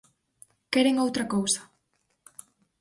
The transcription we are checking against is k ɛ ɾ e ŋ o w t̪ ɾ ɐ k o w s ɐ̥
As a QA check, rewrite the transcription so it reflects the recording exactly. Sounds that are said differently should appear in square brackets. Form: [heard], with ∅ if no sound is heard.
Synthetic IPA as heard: k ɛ ɾ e ŋ o w t̪ ɾ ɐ k o w s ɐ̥